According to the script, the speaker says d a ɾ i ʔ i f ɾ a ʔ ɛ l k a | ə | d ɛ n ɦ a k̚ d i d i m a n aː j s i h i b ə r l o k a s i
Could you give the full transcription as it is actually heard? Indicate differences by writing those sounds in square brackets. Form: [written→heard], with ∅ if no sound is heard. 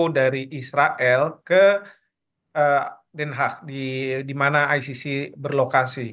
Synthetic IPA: d a ɾ i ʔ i [f→s] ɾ a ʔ ɛ l k [a→ə] | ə | d ɛ n ɦ a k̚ d i d i m a n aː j s i [h→s] i b ə r l o k a s i

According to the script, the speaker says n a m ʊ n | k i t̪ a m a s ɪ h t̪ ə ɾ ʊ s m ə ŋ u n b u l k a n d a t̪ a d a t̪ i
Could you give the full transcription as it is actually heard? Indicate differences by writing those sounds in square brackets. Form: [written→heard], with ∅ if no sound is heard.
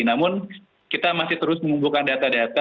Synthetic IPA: n a m ʊ n | k i t̪ a m a s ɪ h t̪ ə ɾ ʊ s m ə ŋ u [n→m] b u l k a n d a t̪ a d a t̪ [i→a]

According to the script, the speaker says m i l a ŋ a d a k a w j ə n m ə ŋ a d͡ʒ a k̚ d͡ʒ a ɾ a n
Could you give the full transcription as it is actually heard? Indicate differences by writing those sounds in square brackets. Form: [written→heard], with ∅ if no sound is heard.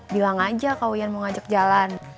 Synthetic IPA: [m→b] i l a ŋ a [d→d͡ʒ] a k a w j [ə→a] n m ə ŋ a d͡ʒ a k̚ d͡ʒ a [ɾ→l] a n

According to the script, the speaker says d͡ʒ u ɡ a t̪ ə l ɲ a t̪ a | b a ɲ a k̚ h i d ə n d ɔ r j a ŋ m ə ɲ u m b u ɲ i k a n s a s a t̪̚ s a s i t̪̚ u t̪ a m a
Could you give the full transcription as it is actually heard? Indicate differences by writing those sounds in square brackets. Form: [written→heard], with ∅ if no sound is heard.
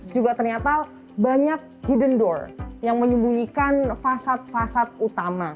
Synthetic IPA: d͡ʒ u ɡ a t̪ ə [l→r] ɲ a t̪ a | b a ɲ a k̚ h i d ə n d ɔ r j a ŋ m ə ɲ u m b u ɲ i k a n [s→f] a s a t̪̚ [s→f] a s [i→a] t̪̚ u t̪ a m a

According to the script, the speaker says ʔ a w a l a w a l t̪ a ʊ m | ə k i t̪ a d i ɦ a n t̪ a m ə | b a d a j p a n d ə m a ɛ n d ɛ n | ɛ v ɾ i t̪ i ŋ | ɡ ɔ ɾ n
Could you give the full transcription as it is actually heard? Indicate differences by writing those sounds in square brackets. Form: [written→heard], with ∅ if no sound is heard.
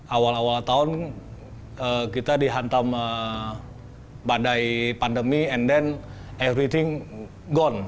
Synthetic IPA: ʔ a w a l a w a l t̪ a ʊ [m→n] | ə k i t̪ a d i ɦ a n t̪ a m ə | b a d a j p a n d ə m [a→i] ɛ n d ɛ n | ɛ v ɾ i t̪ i ŋ | ɡ ɔ [ɾ→∅] n

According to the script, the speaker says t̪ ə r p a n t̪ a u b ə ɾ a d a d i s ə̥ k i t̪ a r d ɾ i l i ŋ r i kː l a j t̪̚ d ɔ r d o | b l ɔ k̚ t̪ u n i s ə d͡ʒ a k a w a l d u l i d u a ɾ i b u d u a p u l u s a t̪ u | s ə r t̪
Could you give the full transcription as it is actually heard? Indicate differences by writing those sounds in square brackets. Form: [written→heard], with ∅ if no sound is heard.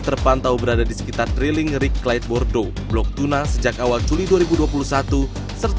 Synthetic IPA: t̪ ə r p a n t̪ a u b ə ɾ a d a d i s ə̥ k i t̪ a r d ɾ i l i ŋ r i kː l a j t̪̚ [d→b] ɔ r d o | b l ɔ k̚ t̪ u n [i→a] s ə d͡ʒ a k a w a l [d→d͡ʒ] u l i d u a ɾ i b u d u a p u l u s a t̪ u | s ə r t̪

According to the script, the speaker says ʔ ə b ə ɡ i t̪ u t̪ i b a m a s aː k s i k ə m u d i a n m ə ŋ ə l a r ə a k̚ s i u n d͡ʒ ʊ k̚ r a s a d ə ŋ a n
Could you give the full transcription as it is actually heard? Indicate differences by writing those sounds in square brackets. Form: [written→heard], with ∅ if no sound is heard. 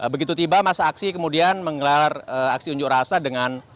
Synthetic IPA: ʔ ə b ə ɡ i t̪ u t̪ i b a m a s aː k s i k ə m u d i a n m ə ŋ ə l a r ə a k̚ s i u [n→ɲ] d͡ʒ ʊ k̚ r a s a d ə ŋ a n

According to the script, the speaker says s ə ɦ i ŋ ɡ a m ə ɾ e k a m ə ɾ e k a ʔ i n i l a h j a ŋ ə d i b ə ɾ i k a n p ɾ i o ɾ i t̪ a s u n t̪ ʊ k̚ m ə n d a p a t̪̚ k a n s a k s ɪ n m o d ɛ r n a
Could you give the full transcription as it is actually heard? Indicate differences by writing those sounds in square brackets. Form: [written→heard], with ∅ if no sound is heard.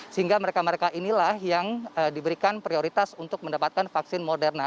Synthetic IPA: s ə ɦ i ŋ ɡ a m ə ɾ e k a m ə ɾ e k a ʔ i n i l a h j a ŋ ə d i b ə ɾ i k a n p ɾ i o ɾ i t̪ a s u n t̪ ʊ k̚ m ə n d a p a t̪̚ k a n [s→f] a k s ɪ n m o d ɛ r n a

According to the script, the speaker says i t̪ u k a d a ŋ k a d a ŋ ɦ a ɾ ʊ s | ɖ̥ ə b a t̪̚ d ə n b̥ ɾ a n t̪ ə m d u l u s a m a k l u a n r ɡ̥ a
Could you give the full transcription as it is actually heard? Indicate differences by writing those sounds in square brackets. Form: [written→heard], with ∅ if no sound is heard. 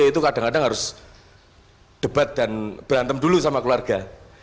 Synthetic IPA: i t̪ u k a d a ŋ k a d a ŋ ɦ a ɾ ʊ s | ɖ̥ ə b a t̪̚ d [ə→a] n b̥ ɾ a n t̪ ə m d u l u s a m a k l u a [n→∅] r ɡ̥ a

